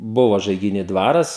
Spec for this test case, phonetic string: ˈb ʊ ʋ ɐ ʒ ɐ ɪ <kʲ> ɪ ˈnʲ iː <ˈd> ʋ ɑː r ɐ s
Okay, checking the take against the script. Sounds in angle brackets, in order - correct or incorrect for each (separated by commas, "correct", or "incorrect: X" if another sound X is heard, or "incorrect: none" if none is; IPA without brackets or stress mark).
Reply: incorrect: ɡʲ, correct